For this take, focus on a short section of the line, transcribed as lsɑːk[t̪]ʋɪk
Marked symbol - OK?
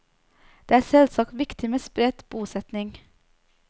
yes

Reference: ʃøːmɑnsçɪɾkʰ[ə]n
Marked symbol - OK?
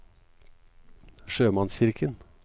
yes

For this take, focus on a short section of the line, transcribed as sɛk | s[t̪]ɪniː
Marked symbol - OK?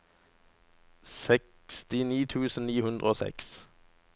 yes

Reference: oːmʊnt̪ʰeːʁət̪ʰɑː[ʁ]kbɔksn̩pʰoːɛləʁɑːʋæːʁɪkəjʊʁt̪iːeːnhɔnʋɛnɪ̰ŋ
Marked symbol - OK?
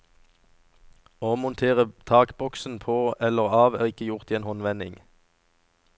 no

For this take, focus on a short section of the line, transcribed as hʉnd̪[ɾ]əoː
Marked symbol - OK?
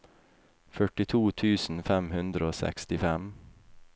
yes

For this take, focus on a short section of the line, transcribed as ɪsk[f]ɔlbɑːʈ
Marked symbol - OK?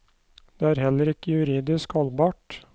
no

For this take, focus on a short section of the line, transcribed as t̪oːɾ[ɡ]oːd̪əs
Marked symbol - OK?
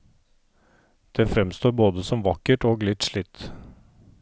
no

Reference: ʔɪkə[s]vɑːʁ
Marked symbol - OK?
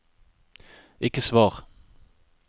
yes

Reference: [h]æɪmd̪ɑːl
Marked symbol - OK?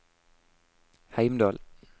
yes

